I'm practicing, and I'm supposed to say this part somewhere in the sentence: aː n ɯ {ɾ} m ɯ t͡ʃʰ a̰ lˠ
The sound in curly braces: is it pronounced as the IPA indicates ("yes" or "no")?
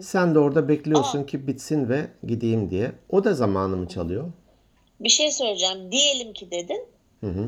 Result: no